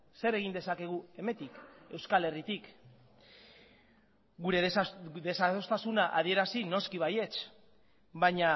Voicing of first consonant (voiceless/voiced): voiceless